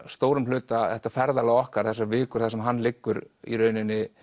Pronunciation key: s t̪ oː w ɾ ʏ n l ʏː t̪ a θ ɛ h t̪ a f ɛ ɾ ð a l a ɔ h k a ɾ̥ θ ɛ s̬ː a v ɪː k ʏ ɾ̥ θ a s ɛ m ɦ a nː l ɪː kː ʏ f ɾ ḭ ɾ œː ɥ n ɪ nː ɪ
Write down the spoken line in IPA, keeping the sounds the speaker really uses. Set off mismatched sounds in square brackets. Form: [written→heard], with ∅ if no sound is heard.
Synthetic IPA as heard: s t̪ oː w ɾ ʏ [n→m] l ʏː t̪ a θ ɛ h t̪ a f ɛ ɾ ð a l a ɔ h k a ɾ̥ θ ɛ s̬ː a v ɪː k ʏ ɾ̥ θ a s ɛ m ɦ a nː l [ɪː→ɪ] kː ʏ [f→∅] ɾ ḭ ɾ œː ɥ n ɪ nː ɪ